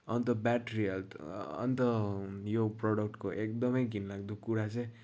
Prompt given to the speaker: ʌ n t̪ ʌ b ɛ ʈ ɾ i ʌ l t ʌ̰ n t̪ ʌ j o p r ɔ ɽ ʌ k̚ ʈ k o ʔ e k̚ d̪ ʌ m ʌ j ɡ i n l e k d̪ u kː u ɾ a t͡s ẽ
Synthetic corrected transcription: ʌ n t̪ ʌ b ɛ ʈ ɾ i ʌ l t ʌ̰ n t̪ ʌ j o p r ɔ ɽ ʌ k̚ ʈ k o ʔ e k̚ d̪ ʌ m ʌ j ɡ i n l a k d̪ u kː u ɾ a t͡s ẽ